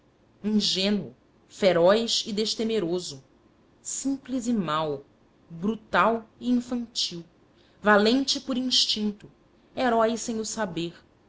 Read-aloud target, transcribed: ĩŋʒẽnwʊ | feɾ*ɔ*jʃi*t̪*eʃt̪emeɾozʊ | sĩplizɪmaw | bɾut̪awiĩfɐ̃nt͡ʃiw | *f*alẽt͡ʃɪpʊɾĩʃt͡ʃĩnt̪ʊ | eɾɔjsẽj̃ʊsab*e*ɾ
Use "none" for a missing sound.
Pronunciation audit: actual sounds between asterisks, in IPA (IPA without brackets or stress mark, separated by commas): ɔ, d̪, v, e